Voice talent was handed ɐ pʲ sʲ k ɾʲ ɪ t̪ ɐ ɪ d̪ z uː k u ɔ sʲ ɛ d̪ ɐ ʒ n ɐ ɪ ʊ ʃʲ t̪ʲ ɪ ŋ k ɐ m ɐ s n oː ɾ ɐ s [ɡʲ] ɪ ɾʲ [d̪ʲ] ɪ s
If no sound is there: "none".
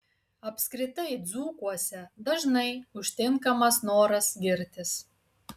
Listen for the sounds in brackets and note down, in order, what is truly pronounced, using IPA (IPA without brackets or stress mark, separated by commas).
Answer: ɡʲ, t̪ʲ